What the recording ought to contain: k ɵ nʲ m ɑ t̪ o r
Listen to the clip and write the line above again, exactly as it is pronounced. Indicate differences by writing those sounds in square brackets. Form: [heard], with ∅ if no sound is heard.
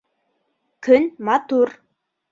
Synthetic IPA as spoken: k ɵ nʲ m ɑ t̪ [u] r